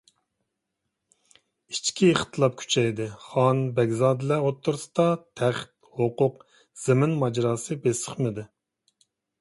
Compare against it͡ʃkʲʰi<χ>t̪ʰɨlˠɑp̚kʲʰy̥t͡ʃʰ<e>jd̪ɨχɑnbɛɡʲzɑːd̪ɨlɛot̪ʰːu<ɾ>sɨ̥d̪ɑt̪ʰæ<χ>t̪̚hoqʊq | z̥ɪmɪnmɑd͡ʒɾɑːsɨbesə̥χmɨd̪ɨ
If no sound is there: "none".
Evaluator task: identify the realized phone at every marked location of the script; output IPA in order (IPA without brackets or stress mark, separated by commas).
χ, ɛ, ɾ, χ